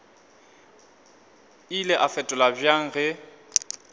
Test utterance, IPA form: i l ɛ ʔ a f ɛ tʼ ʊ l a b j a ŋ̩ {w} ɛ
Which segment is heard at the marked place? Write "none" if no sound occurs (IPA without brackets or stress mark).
ɣ